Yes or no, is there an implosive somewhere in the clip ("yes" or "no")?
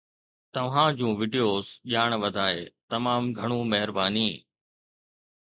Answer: yes